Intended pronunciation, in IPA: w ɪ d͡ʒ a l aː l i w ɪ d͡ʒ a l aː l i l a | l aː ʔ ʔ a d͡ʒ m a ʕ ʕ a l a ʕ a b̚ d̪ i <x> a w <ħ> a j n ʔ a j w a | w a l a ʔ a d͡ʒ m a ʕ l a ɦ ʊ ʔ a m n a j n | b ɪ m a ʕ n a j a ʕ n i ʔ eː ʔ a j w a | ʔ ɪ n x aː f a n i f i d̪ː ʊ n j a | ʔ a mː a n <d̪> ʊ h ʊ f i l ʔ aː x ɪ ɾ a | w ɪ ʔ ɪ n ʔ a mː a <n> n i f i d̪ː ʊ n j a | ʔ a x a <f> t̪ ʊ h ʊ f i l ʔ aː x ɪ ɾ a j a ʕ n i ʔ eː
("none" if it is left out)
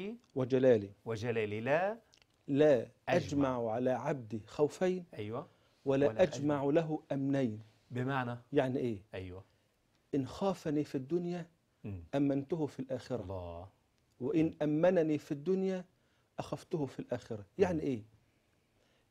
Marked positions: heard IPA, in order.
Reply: x, f, t̪, n, f

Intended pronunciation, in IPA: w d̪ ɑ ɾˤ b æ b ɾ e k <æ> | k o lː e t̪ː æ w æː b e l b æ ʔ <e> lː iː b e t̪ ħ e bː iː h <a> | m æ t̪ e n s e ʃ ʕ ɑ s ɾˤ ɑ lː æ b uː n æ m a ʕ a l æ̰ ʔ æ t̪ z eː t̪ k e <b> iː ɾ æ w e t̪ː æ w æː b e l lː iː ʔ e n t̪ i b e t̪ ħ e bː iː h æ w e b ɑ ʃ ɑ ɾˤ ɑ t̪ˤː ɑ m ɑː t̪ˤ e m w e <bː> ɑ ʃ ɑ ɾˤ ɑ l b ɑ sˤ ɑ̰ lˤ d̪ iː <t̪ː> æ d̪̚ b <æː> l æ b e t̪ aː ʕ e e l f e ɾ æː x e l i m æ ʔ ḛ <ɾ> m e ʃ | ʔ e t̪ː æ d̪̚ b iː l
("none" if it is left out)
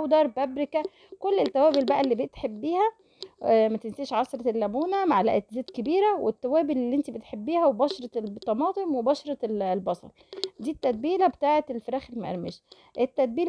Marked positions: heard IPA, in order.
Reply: æ, æ, æ, b, b, t̪ː, iː, ɾ

